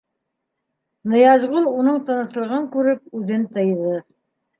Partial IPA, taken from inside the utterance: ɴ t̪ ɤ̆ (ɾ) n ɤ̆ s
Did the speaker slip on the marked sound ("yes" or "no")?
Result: yes